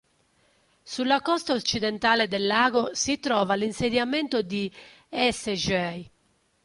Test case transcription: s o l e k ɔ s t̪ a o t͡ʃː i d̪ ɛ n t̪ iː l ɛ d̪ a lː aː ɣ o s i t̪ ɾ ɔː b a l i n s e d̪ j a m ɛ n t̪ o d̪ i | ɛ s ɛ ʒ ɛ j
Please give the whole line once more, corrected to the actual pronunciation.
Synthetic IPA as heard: s u l a k ɔ s t̪ a o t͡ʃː i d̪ ɛ n t̪ aː l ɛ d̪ ɛ lː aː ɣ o s i t̪ ɾ ɔː v a l i n s e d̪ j a m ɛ n t̪ o d̪ i | ɛ s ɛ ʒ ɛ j